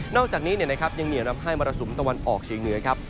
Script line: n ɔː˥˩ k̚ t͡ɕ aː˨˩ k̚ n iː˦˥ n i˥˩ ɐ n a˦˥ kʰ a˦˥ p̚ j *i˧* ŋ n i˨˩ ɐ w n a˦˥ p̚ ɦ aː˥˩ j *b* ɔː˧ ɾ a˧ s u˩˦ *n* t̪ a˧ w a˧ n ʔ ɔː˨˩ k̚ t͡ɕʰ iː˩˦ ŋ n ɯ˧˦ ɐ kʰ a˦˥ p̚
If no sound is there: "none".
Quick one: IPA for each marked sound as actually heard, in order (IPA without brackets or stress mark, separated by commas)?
a˧, m, m